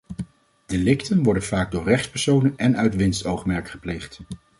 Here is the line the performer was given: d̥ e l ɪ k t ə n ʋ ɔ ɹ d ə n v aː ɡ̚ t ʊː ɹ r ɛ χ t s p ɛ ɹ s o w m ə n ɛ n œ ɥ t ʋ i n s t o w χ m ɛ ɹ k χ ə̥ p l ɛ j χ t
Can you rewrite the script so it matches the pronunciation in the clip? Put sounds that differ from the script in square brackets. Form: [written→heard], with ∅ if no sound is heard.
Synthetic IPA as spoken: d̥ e l ɪ k t ə n ʋ ɔ ɹ d ə n v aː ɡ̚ [t→d] ʊː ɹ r ɛ χ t s p ɛ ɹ s o w [m→n] ə n ɛ n œ ɥ t ʋ [i→ɪ] n s t o w χ m ɛ ɹ k χ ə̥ p l [ɛ→e] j χ t